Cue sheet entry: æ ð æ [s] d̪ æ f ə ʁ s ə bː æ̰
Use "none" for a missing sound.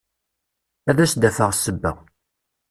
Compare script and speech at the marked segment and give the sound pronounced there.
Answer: s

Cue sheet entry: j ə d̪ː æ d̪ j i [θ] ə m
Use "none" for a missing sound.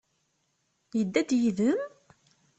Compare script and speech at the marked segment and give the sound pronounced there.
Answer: ð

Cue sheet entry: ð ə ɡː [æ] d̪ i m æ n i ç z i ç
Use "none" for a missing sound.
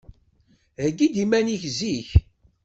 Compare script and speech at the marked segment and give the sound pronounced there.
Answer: i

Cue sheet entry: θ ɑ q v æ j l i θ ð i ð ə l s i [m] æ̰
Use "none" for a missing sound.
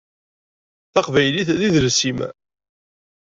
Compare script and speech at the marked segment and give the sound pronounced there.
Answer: m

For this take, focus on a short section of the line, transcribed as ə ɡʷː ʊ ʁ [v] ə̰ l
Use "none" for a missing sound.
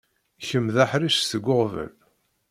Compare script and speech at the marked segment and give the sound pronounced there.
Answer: v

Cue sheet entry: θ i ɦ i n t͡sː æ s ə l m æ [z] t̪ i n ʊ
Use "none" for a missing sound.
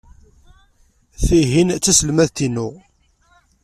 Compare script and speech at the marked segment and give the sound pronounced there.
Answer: ð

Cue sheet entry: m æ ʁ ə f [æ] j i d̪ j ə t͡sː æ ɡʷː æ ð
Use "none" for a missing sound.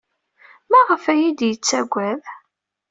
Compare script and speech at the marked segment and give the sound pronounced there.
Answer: æ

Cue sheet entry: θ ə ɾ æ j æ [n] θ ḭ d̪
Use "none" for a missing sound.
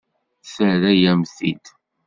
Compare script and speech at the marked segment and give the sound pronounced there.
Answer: m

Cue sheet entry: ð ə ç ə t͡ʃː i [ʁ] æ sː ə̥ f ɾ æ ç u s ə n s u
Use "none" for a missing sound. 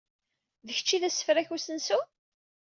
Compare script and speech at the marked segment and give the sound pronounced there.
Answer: ð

